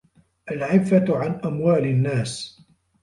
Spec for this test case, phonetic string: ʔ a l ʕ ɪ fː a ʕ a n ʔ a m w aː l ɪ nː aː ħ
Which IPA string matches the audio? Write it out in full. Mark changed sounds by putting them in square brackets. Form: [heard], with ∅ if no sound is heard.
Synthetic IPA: ʔ a l ʕ ɪ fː a ʕ a n ʔ a m w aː l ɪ nː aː [s]